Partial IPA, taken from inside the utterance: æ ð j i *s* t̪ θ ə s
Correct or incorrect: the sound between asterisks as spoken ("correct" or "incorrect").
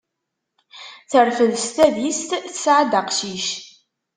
correct